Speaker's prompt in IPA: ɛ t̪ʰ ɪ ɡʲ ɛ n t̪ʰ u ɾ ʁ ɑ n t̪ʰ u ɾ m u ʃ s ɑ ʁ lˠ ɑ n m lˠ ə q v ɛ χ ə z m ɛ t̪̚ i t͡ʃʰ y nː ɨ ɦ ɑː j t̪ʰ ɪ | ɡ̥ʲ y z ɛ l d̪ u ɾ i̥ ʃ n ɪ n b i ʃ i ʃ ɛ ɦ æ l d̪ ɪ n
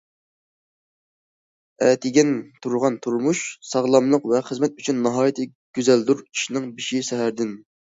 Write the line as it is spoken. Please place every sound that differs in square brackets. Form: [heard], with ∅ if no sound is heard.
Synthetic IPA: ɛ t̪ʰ ɪ ɡʲ ɛ n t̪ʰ u ɾ ʁ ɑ n t̪ʰ u ɾ m u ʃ s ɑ ʁ lˠ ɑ [∅] m lˠ ə q v ɛ χ ə z m ɛ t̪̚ [y] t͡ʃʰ y nː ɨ ɦ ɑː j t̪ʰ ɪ | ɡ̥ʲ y z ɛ l d̪ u ɾ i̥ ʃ n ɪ [ŋ] b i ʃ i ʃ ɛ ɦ æ [ɾ] d̪ ɪ n